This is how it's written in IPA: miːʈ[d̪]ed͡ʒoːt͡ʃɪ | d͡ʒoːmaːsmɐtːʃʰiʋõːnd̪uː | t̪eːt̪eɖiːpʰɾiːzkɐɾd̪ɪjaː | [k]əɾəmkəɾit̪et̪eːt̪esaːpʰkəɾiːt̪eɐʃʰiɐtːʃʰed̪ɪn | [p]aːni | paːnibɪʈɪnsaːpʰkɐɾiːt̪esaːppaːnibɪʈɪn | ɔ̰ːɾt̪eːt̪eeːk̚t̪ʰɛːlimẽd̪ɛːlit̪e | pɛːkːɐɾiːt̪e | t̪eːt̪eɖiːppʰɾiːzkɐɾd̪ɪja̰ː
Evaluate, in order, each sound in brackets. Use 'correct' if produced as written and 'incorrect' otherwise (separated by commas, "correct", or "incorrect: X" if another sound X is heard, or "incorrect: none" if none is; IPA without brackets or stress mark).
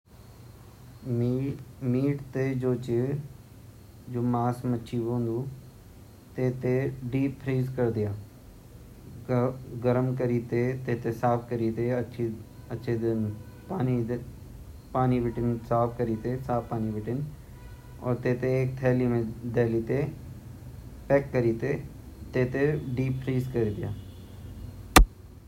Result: incorrect: t̪, incorrect: ɡ, correct